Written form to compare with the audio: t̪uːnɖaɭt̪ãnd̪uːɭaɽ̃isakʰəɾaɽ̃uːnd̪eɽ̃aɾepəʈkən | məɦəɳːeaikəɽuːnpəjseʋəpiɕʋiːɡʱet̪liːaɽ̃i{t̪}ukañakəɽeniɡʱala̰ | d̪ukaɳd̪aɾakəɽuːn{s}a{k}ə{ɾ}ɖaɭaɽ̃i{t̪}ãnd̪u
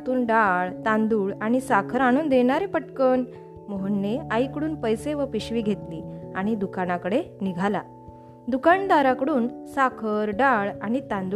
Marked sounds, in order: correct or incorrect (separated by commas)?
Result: incorrect, correct, incorrect, correct, correct